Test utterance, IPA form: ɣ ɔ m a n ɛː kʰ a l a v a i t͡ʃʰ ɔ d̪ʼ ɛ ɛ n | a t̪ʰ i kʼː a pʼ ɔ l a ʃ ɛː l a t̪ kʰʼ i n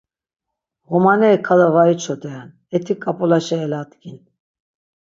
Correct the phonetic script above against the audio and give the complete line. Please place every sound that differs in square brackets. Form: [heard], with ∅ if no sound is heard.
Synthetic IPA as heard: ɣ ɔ m a n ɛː kʰ a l a v a i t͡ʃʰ ɔ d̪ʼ ɛ [a] n | [ɛ] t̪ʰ i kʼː a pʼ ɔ l a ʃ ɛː l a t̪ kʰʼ i n